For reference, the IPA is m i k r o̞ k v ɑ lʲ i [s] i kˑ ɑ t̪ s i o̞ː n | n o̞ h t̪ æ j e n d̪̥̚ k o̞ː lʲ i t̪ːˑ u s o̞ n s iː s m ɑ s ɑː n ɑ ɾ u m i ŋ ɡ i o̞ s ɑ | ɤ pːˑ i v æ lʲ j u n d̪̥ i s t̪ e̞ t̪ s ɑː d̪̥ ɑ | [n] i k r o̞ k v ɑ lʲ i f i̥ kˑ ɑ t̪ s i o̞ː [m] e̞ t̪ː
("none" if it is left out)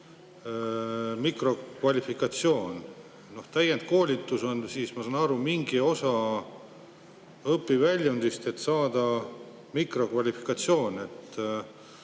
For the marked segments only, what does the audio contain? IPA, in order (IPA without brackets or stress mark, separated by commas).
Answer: f, m, n